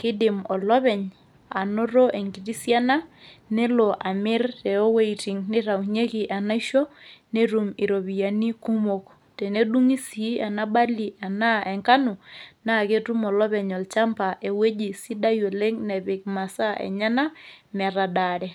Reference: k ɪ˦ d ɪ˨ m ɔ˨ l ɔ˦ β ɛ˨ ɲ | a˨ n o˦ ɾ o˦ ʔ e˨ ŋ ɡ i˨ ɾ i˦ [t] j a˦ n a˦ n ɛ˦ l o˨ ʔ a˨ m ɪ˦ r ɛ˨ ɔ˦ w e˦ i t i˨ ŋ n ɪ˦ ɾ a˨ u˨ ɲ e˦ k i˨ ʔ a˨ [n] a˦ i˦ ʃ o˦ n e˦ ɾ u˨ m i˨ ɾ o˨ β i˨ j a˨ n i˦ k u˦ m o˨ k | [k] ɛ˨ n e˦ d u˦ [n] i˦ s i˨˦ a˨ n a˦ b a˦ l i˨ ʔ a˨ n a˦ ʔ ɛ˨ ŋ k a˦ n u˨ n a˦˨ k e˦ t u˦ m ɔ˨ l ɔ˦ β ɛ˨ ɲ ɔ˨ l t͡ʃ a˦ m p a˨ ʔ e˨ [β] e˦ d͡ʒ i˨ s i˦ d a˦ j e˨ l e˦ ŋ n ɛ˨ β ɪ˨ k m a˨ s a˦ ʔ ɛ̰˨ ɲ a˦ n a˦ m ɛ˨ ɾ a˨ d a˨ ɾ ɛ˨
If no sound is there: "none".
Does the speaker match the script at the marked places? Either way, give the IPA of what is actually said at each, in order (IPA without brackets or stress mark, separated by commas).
s, n, t, ŋ, w